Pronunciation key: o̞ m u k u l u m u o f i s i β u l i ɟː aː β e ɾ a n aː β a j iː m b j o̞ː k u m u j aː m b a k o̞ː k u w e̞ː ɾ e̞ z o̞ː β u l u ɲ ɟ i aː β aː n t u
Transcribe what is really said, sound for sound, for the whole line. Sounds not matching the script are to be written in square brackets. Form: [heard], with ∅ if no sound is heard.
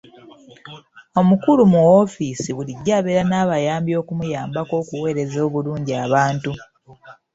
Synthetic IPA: o̞ m u k u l u m u o f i s i β u l i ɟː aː β e ɾ a n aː β a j [aː] m b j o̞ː k u m u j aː m b a k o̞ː k u w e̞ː ɾ e̞ z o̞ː β u l [uː] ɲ ɟ i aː β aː n t u